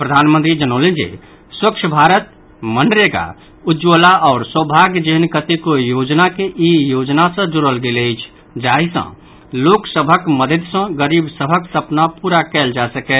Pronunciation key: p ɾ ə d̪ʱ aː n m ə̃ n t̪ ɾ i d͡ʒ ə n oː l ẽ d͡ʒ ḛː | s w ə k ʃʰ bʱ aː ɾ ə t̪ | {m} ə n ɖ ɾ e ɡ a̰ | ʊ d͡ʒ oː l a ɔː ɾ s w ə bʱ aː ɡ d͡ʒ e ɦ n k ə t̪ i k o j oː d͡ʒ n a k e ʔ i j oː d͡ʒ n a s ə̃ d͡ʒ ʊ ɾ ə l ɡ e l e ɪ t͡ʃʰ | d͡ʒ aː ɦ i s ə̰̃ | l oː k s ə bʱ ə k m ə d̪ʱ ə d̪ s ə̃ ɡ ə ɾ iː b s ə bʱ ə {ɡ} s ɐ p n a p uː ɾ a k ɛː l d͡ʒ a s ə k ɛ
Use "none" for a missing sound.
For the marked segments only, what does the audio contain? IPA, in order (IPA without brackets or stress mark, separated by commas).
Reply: m, k